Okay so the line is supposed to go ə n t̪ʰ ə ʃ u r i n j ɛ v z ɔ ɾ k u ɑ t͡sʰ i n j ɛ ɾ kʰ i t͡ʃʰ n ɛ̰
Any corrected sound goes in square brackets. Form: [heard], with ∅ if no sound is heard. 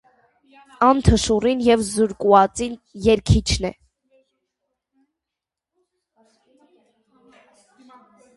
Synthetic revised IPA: [ɑ] n t̪ʰ ə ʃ u r i n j ɛ v z [u] ɾ k u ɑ [t͡s] i n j ɛ ɾ kʰ i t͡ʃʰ n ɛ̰

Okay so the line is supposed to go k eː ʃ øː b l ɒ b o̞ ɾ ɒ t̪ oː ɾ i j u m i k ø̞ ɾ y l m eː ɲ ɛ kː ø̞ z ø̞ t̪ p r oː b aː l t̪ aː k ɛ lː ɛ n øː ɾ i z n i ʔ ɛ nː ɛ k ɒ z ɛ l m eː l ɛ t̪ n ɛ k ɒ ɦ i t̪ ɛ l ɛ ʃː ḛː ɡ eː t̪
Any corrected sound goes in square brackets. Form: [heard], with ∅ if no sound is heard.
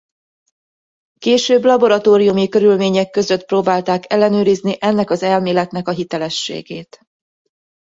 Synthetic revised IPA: k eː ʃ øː b l ɒ b o̞ ɾ ɒ t̪ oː ɾ i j u m i k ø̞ ɾ y l m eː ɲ ɛ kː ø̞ z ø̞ t̪ p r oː b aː l t̪ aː k ɛ lː ɛ n øː ɾ i z n i ʔ ɛ nː ɛ k ɒ z ɛ l m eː l ɛ t̪ n ɛ k ɒ ɦ i t̪ ɛ l ɛ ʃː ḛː ɡ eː t̪

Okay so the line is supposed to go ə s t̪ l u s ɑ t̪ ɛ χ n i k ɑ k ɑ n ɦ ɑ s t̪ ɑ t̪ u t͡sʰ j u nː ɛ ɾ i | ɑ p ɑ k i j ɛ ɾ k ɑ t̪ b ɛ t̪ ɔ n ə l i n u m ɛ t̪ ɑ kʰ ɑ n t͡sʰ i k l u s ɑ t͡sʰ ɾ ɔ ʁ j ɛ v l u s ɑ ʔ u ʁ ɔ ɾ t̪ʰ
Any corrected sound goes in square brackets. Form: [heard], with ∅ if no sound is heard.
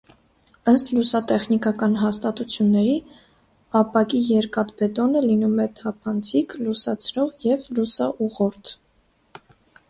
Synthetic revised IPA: ə s t̪ l u s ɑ t̪ ɛ χ n i k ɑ k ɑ n ɦ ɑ s t̪ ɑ t̪ u t͡sʰ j u nː ɛ ɾ i | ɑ p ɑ k i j ɛ ɾ k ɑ t̪ b ɛ t̪ ɔ n ə l i n u m ɛ [t̪ʰ] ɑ [pʰ] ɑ n t͡sʰ i k l u s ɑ t͡sʰ ɾ ɔ ʁ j ɛ v l u s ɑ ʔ u ʁ ɔ ɾ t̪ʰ

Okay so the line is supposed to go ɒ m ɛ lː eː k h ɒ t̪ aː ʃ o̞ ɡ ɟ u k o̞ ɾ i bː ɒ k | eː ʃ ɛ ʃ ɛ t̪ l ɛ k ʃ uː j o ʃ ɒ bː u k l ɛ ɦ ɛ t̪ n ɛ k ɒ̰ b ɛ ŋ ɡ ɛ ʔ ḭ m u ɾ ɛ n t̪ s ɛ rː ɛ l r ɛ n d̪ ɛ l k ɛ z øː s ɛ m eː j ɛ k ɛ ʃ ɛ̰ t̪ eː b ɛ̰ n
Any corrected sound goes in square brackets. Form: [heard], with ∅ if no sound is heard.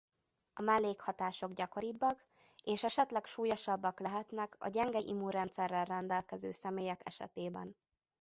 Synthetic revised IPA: ɒ m ɛ lː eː k h ɒ t̪ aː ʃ o̞ ɡ ɟ [ɒ] k o̞ ɾ i bː ɒ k | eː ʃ ɛ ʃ ɛ t̪ l ɛ k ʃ uː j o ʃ ɒ bː [ɒ] k l ɛ ɦ ɛ t̪ n ɛ k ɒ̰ [ɟ] ɛ ŋ ɡ ɛ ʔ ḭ m u ɾ ɛ n t̪ s ɛ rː ɛ l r ɛ n d̪ ɛ l k ɛ z øː s ɛ m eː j ɛ k ɛ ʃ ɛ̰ t̪ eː b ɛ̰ n

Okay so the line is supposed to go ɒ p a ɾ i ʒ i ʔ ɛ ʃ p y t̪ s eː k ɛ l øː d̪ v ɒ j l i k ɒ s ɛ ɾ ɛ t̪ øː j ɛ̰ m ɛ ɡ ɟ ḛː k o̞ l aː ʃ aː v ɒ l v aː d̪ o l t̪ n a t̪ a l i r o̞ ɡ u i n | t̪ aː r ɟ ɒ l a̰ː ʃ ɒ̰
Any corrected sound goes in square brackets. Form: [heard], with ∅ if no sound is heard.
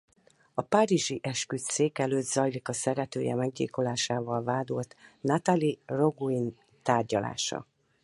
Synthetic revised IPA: ɒ p a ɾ i ʒ i ʔ ɛ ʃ [k] y t̪ s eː k ɛ l øː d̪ [z] ɒ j l i k ɒ s ɛ ɾ ɛ t̪ øː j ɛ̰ m ɛ ɡ ɟ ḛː k o̞ l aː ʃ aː v ɒ l v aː d̪ o l t̪ n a t̪ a l i r o̞ ɡ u i n | t̪ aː r ɟ ɒ l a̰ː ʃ ɒ̰

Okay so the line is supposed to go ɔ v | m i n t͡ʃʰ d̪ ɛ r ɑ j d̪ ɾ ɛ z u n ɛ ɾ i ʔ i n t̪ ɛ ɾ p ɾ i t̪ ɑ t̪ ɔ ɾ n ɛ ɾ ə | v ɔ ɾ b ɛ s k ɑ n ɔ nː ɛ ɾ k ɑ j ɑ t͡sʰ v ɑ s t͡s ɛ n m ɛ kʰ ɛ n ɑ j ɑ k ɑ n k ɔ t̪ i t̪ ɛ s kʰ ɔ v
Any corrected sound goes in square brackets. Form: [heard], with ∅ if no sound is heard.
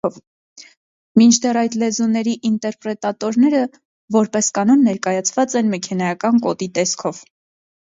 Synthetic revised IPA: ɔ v | m i n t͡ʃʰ d̪ ɛ r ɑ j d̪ [l] ɛ z u n ɛ ɾ i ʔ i n t̪ ɛ ɾ p ɾ [ɛ] t̪ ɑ t̪ ɔ ɾ n ɛ ɾ ə | v ɔ ɾ [p] ɛ s k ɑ n ɔ nː ɛ ɾ k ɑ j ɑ t͡sʰ v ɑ [∅] t͡s ɛ n m ɛ kʰ ɛ n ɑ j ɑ k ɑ n k ɔ t̪ i t̪ ɛ s kʰ ɔ v

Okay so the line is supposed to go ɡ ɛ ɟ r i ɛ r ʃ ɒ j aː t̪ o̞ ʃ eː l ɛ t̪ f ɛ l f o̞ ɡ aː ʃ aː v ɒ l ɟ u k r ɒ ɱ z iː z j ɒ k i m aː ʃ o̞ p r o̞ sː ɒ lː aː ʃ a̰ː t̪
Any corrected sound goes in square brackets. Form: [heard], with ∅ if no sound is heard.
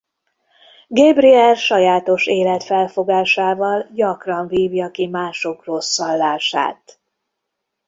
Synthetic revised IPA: ɡ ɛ [b] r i ɛ r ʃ ɒ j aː t̪ o̞ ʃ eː l ɛ t̪ f ɛ l f o̞ ɡ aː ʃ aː v ɒ l ɟ [ɒ] k r ɒ ɱ [v] iː [v] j ɒ k i m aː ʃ o̞ [k] r o̞ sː ɒ lː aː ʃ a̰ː t̪

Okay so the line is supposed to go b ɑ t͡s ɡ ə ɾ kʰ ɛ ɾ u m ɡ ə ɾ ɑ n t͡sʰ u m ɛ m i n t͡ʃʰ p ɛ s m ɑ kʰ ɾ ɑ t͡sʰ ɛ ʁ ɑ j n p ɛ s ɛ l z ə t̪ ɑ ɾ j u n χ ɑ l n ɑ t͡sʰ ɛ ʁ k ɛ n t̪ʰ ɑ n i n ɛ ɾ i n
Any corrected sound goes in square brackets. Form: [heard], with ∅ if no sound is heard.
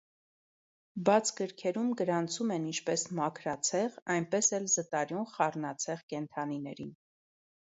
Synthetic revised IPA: b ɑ [t͡sʰ] ɡ ə ɾ kʰ ɛ ɾ u m ɡ ə ɾ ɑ n t͡sʰ u m ɛ [n] i n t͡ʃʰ p ɛ s m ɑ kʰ ɾ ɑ t͡sʰ ɛ ʁ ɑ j n p ɛ s ɛ l z ə t̪ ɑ ɾ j u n χ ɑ [r] n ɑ t͡sʰ ɛ ʁ k ɛ n t̪ʰ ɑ n i n ɛ ɾ i n

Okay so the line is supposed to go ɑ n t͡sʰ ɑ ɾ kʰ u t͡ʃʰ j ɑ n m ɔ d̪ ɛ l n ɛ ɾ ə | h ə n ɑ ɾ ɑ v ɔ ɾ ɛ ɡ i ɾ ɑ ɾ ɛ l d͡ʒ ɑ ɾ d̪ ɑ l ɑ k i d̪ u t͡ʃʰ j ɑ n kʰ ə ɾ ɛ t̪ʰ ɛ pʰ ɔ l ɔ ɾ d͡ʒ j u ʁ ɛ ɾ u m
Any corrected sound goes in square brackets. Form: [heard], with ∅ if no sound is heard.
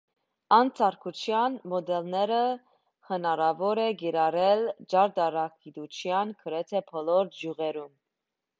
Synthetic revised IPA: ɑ n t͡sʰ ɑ ɾ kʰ u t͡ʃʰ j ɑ n m ɔ d̪ ɛ l n ɛ ɾ ə | h ə n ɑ ɾ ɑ v ɔ ɾ ɛ ɡ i ɾ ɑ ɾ ɛ l d͡ʒ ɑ ɾ d̪ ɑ [ɾ] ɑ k i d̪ u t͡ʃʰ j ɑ n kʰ ə ɾ ɛ t̪ʰ ɛ pʰ ɔ l ɔ ɾ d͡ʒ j u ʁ ɛ ɾ u m

